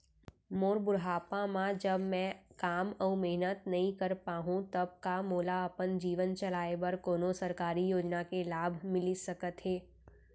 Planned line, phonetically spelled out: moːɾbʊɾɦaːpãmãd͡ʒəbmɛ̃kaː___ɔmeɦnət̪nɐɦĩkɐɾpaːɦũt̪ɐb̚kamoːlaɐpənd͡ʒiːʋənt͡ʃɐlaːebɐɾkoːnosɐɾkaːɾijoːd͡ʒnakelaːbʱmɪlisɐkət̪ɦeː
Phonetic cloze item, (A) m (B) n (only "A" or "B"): A